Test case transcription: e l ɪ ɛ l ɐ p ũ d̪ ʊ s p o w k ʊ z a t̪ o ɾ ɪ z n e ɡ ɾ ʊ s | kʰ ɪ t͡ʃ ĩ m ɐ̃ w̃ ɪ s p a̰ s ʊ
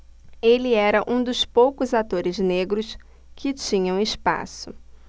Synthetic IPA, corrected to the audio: e l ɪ ɛ ɾ ɐ ʔ ũ d̪ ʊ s p o w k ʊ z a t̪ o ɾ ɪ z n e ɡ ɾ ʊ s | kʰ ɪ t͡ʃ ĩ ɲ ɐ̃ w̃ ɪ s p a̰ s ʊ